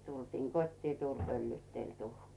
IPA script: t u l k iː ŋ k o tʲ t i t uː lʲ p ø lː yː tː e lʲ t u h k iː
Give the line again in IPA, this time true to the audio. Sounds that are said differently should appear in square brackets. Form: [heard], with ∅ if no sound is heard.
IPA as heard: t u l [t] iː ŋ k o tʲ t [iː] t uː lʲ p ø lː yː tː e lʲ t u h k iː